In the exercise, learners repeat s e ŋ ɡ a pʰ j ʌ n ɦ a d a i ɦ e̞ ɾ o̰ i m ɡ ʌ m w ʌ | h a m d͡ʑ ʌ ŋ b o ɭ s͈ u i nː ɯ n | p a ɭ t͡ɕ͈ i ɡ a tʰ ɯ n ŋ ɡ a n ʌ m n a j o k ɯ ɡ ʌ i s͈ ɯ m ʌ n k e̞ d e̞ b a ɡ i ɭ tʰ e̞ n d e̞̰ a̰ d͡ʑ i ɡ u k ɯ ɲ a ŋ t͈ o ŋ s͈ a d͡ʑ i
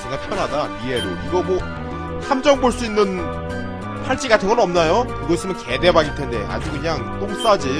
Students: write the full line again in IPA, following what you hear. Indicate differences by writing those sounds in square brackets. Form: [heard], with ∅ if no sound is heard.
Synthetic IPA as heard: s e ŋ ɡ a pʰ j ʌ n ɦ a d a i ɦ e̞ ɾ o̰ i [∅] ɡ ʌ m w ʌ | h a m d͡ʑ ʌ ŋ b o ɭ s͈ u i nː ɯ n | [pʰ] a ɭ t͡ɕ͈ i ɡ a tʰ ɯ n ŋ ɡ [ʌ] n ʌ m n a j o k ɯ ɡ ʌ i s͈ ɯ m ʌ n k e̞ d e̞ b a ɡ i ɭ tʰ e̞ n d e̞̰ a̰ d͡ʑ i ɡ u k ɯ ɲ a ŋ t͈ o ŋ s͈ a d͡ʑ i